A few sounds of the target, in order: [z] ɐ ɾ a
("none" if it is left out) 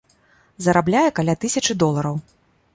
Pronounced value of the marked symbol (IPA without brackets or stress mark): z